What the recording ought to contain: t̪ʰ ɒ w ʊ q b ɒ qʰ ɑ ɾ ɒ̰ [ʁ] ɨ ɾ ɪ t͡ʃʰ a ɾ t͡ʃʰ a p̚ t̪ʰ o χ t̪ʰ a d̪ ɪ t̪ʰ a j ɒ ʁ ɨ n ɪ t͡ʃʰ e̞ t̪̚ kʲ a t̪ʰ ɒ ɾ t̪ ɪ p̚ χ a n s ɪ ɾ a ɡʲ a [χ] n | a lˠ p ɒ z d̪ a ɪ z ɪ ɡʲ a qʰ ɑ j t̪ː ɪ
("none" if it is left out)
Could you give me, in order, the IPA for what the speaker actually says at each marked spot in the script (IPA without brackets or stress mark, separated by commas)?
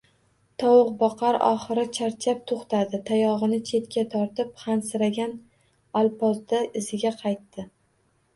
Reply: χ, none